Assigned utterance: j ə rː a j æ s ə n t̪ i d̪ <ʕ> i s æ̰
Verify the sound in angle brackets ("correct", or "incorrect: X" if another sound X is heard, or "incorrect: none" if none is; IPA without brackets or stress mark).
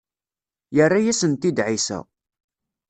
correct